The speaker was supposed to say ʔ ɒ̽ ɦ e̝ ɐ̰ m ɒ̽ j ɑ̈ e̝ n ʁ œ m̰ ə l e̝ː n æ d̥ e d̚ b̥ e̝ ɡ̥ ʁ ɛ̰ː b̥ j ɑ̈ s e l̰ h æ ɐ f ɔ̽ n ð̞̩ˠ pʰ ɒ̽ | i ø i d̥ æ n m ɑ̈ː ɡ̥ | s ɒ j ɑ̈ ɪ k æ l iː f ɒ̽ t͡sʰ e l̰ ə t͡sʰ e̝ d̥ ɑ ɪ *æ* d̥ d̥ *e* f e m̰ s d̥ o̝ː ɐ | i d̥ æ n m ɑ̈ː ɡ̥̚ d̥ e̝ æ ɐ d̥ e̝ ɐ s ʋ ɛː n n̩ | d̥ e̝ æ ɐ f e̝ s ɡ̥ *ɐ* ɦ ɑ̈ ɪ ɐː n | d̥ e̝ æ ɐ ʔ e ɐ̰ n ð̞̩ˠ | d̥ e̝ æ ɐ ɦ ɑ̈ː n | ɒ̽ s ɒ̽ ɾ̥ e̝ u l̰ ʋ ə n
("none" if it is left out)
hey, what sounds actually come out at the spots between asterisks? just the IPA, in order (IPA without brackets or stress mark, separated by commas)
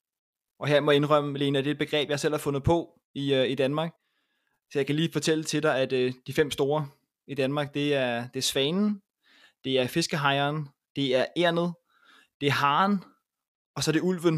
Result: æ, i, ə